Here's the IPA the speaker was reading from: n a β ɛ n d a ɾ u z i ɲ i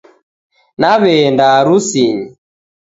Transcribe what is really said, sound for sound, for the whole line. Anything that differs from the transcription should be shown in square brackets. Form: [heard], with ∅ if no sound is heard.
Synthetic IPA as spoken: n a β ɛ n d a ɾ u [s] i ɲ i